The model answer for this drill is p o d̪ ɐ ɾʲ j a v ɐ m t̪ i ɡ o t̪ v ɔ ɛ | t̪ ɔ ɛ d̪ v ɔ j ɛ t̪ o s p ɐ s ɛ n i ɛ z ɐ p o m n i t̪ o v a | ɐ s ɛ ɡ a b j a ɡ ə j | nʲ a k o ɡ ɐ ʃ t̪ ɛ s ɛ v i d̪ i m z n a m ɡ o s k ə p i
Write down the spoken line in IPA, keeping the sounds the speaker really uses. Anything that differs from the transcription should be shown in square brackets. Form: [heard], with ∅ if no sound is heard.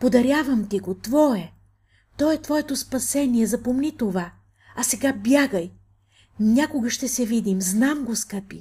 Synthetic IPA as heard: p o d̪ ɐ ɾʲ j a v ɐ m t̪ i ɡ o t̪ v ɔ ɛ | t̪ ɔ ɛ [t̪] v ɔ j ɛ t̪ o s p ɐ s ɛ n i ɛ z ɐ p o m n i t̪ o v a | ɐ s ɛ ɡ a b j a ɡ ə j | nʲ a k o ɡ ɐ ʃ t̪ ɛ s ɛ v i d̪ i m z n a m ɡ o s k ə p i